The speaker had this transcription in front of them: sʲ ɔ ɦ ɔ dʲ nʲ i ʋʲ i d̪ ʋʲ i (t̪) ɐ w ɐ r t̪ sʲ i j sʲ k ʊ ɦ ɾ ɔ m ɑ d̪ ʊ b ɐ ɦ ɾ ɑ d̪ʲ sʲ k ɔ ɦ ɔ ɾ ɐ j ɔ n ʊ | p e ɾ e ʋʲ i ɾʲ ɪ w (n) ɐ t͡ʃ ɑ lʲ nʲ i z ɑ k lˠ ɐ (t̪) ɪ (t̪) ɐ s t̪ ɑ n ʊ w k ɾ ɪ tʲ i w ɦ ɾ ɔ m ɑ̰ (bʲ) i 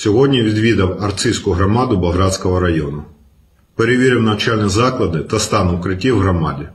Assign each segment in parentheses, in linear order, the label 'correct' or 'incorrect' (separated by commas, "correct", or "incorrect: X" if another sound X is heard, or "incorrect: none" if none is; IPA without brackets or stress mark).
incorrect: d̪, correct, incorrect: d̪, correct, incorrect: dʲ